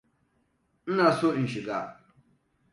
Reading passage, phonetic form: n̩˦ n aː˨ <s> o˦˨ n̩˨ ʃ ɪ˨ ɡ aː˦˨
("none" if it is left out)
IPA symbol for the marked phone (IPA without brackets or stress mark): s